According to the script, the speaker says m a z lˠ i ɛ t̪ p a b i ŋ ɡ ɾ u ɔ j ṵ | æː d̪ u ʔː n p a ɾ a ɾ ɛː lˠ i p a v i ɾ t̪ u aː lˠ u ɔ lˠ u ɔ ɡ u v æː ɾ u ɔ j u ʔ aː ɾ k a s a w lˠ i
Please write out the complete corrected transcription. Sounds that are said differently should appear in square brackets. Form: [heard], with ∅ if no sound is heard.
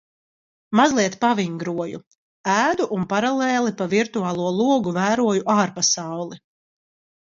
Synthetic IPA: m a z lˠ i ɛ t̪ p a [v] i ŋ ɡ ɾ u ɔ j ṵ | æː d̪ u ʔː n p a ɾ a [l] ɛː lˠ i p a v i ɾ t̪ u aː lˠ u ɔ lˠ u ɔ ɡ u v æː ɾ u ɔ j u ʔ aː ɾ [p] a s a w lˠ i